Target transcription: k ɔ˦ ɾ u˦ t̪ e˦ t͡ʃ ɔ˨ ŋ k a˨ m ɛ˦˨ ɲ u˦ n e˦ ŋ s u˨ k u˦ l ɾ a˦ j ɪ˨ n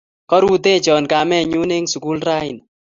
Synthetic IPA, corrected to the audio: k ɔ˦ ɾ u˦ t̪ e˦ t͡ʃ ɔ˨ n k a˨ m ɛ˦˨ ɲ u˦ n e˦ ŋ s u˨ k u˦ l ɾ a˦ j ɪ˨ n